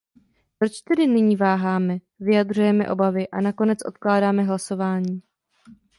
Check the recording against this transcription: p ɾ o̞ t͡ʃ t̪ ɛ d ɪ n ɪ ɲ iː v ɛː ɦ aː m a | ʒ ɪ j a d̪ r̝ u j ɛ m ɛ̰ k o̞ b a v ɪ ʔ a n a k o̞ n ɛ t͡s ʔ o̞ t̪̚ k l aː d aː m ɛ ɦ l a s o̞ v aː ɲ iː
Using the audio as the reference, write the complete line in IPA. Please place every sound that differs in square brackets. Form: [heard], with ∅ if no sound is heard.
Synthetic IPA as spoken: p ɾ o̞ t͡ʃ t̪ ɛ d ɪ n ɪ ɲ iː v [aː] ɦ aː m [ɛ] | [v] ɪ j a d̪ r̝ u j ɛ m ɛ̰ [ʔ] o̞ b a v ɪ ʔ a n a k o̞ n ɛ t͡s ʔ o̞ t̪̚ k l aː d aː m ɛ ɦ l a s o̞ v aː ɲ iː